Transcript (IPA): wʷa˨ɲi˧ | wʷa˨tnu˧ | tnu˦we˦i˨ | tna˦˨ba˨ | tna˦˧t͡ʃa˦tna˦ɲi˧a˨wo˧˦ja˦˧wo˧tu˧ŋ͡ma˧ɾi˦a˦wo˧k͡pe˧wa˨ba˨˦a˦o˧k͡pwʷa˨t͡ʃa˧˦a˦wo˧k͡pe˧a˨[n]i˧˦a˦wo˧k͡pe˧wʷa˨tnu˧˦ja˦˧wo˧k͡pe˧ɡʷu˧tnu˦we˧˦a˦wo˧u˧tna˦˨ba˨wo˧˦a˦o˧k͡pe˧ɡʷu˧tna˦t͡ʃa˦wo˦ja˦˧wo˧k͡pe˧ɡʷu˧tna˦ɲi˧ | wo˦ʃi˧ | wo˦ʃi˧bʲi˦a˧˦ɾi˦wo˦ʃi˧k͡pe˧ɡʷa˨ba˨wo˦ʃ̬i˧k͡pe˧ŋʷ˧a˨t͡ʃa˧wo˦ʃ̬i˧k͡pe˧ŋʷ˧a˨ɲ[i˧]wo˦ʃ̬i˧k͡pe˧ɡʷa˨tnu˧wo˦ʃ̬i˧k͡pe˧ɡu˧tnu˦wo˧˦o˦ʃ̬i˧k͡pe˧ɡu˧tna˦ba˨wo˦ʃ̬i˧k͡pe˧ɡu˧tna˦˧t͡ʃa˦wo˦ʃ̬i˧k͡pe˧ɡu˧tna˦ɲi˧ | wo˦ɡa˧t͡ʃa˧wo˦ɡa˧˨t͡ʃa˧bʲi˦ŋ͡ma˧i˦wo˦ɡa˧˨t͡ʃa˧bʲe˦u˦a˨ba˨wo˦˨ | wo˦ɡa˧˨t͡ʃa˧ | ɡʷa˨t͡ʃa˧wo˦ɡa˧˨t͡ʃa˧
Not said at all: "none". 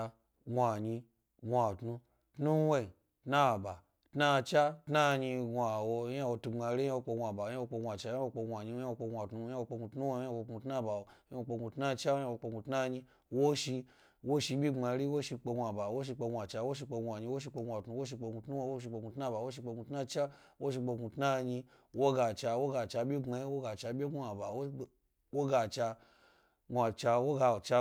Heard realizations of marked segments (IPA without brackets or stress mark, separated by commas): ɲ, i˧